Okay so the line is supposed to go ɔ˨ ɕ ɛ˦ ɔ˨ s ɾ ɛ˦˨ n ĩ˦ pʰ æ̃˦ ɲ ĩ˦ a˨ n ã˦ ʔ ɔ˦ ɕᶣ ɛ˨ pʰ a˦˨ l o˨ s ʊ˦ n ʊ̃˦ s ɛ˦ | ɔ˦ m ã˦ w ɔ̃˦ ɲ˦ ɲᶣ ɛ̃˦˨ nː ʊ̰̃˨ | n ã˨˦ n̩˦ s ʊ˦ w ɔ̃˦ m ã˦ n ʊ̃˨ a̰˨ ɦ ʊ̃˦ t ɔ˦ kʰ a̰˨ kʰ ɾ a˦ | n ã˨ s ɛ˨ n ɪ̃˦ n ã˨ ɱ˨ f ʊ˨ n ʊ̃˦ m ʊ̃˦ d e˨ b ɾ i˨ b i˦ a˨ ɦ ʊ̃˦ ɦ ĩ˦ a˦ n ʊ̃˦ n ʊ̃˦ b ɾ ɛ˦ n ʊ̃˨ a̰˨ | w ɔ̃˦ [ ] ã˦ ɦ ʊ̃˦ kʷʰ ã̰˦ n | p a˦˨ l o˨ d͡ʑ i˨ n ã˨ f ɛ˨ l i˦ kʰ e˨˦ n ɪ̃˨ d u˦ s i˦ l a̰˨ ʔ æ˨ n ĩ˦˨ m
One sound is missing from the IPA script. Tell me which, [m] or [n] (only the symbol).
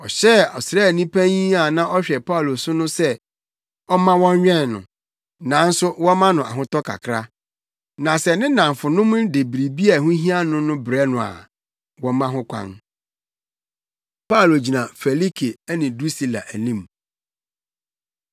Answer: m